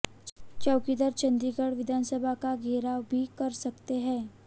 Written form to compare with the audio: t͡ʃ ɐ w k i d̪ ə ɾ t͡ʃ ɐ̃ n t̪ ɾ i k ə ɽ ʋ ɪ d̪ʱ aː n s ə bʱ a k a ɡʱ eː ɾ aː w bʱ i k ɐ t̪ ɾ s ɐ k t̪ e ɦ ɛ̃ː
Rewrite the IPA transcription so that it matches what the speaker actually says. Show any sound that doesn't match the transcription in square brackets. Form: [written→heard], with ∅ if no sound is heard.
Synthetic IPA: t͡ʃ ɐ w k i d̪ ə ɾ t͡ʃ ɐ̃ n [t̪→d̪] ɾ i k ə ɽ ʋ ɪ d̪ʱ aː n s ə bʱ a k a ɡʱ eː ɾ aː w bʱ i k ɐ [t̪→∅] ɾ s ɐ k t̪ e ɦ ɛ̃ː

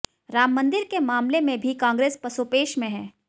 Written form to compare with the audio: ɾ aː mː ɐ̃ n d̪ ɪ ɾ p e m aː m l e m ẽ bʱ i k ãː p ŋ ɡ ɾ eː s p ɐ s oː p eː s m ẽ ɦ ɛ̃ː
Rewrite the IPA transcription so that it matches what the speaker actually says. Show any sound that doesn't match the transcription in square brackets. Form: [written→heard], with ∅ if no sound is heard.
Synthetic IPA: ɾ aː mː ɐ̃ n d̪ ɪ ɾ [p→k] e m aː m l e m ẽ bʱ i k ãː [p→∅] ŋ ɡ ɾ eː s p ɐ s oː p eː [s→ʃ] m ẽ ɦ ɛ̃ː

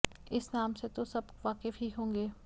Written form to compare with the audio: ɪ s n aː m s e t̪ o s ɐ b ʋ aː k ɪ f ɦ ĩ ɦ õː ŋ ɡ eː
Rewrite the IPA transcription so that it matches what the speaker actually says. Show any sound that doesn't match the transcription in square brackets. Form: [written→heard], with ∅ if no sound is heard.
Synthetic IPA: ɪ s n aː m s e t̪ o s ɐ b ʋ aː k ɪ f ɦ [ĩ→i] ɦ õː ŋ ɡ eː

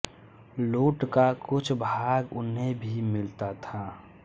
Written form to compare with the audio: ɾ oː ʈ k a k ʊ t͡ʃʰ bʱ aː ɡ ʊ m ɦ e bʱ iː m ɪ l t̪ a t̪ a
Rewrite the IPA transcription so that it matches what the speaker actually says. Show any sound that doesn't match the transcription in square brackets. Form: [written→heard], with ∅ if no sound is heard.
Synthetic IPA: [ɾ→l] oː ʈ k a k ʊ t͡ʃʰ bʱ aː ɡ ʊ [m→n] ɦ e bʱ [iː→i] m ɪ l t̪ a [t̪→t̪ʰ] a

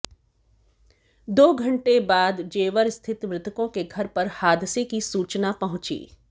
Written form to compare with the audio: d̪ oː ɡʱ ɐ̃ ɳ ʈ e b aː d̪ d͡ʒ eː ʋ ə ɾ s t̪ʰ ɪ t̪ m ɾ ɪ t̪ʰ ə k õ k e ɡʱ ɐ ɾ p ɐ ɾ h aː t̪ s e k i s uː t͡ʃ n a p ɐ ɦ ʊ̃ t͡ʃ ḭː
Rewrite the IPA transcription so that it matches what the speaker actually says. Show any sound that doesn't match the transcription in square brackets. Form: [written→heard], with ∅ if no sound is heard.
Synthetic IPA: d̪ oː ɡʱ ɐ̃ ɳ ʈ e b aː d̪ d͡ʒ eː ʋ ə ɾ s t̪ʰ ɪ t̪ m ɾ ɪ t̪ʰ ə k õ k e ɡʱ ɐ ɾ p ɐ ɾ h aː [t̪→d̪] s e k i s uː t͡ʃ n a p ɐ ɦ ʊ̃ t͡ʃ ḭː

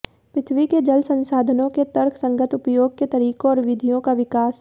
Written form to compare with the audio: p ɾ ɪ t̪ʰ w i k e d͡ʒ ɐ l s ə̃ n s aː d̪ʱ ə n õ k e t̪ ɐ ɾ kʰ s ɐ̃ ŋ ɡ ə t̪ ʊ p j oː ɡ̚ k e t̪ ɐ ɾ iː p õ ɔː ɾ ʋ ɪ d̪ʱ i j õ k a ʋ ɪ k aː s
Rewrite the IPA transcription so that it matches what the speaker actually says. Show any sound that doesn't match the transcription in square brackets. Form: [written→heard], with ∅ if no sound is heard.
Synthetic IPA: p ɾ ɪ t̪ʰ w i k e d͡ʒ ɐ l s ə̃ n s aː d̪ʱ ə n õ k e t̪ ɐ ɾ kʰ s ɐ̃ ŋ ɡ ə t̪ ʊ p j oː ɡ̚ k e t̪ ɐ ɾ iː [p→k] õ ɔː ɾ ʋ ɪ d̪ʱ i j õ k a ʋ ɪ k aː s

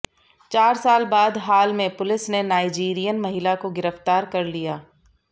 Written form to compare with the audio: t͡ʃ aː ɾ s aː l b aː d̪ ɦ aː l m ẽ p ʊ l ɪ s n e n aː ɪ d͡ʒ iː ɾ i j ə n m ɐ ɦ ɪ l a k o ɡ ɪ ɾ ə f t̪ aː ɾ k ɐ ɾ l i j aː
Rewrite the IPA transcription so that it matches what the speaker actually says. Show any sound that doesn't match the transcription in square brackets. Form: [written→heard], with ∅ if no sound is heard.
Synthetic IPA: t͡ʃ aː ɾ s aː l b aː d̪ ɦ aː l m ẽ p ʊ l ɪ s n e n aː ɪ d͡ʒ iː ɾ i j ə n m ɐ ɦ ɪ l a k o ɡ ɪ ɾ ə f t̪ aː ɾ k ɐ ɾ l i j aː

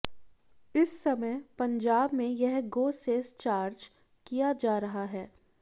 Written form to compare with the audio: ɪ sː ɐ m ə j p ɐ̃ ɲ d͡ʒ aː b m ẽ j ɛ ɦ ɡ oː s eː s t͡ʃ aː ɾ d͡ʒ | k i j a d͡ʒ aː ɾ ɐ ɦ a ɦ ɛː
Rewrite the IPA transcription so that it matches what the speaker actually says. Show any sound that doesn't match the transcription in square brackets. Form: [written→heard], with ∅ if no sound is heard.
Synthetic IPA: ɪ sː ɐ m ə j p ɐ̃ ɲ d͡ʒ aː b m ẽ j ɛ ɦ ɡ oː s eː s t͡ʃ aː ɾ d͡ʒ | k i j a d͡ʒ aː ɾ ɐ ɦ a ɦ ɛː

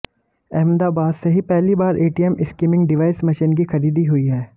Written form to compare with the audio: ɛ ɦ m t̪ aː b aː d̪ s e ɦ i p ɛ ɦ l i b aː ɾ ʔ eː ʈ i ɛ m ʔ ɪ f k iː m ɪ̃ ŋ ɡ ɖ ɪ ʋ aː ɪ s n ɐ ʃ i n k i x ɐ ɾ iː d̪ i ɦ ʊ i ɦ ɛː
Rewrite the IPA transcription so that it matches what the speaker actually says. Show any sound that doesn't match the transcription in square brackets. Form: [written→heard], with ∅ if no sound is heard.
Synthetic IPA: ɛ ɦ m [t̪→d̪] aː b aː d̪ s e ɦ i p ɛ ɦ l i b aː ɾ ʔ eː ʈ i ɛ m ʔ ɪ [f→s] k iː m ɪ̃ ŋ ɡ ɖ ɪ ʋ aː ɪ s [n→m] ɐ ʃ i n k i x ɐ ɾ iː d̪ i ɦ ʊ i ɦ ɛː

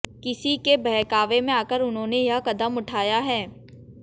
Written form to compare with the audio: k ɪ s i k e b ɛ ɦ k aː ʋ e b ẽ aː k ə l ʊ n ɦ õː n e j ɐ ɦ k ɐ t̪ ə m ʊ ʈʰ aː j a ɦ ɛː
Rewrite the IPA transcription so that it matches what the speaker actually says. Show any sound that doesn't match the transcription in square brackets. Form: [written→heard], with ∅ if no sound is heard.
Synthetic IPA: k ɪ s i k e b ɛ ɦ k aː ʋ e [b→m] ẽ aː k ə [l→ɾ] ʊ n ɦ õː n e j ɐ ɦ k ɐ [t̪→d̪] ə m ʊ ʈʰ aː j a ɦ ɛː

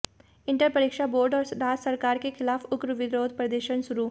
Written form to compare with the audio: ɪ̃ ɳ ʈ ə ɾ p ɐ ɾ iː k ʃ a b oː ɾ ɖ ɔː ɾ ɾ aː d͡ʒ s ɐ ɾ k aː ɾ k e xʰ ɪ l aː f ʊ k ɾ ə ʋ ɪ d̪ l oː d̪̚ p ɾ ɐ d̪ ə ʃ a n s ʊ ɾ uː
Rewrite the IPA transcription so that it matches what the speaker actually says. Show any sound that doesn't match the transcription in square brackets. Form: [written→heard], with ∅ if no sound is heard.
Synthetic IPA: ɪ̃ ɳ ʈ ə ɾ p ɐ ɾ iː k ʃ a b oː ɾ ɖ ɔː ɾ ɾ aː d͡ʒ s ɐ ɾ k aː ɾ k e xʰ ɪ l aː f ʊ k ɾ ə ʋ ɪ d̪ [l→ɾ] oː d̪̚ p ɾ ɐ d̪ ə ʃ [a→ə] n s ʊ ɾ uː

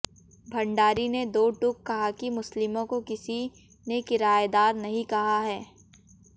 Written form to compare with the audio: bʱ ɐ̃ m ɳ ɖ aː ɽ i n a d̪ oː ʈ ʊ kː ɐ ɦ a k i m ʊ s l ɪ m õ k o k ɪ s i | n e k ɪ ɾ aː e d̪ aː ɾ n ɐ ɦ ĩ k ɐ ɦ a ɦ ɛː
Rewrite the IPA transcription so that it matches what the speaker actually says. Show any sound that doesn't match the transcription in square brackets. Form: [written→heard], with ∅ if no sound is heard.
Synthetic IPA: bʱ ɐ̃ [m→∅] ɳ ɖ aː [ɽ→ɾ] i n [a→e] d̪ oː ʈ ʊ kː ɐ ɦ a k i m ʊ s l ɪ m õ k o k ɪ s i | n e k ɪ ɾ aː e d̪ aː ɾ n ɐ ɦ ĩ k ɐ ɦ a ɦ ɛː

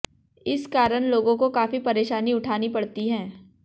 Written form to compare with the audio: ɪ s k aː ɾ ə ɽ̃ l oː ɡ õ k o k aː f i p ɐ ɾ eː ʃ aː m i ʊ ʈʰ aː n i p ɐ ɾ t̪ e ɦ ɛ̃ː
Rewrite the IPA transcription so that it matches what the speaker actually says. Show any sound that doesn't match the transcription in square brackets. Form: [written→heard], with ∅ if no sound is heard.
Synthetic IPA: ɪ s k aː ɾ ə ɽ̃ l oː ɡ õ k o k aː f i p ɐ ɾ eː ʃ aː [m→n] i ʊ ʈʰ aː n i p ɐ [ɾ→ɽ] t̪ [e→i] ɦ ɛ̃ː

